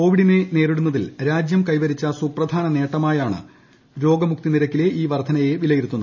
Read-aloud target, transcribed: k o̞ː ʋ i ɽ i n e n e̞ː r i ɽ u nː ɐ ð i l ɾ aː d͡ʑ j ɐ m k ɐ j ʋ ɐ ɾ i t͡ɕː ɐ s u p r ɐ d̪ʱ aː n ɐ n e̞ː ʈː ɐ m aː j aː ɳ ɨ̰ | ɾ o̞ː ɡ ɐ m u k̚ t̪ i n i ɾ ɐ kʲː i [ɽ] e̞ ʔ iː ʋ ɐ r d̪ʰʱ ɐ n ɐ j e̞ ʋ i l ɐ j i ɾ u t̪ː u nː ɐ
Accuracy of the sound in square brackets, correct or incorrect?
incorrect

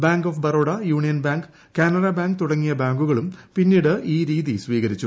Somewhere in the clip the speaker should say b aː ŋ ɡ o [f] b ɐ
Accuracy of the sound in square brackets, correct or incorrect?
correct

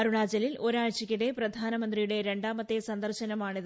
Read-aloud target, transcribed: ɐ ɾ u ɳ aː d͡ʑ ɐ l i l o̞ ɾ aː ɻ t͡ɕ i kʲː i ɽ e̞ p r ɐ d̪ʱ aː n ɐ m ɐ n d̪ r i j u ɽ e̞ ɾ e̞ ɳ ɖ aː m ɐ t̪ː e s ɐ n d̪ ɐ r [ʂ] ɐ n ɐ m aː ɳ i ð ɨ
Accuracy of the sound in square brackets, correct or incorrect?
incorrect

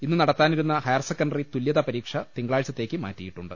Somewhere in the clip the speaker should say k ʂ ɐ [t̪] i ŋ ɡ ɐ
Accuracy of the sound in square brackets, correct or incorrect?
correct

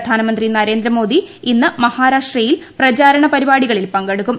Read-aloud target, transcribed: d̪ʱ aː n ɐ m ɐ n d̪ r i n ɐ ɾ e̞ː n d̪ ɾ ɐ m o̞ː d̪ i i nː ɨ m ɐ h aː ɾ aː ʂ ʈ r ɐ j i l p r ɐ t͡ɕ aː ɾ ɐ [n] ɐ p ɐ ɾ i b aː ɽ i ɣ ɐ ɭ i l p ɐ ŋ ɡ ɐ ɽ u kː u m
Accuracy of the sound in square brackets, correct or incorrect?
incorrect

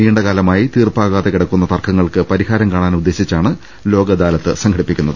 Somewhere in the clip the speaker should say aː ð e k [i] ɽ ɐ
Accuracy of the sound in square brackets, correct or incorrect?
correct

